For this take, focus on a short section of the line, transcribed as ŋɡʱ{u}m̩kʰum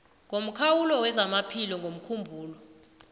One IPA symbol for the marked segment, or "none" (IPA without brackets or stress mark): o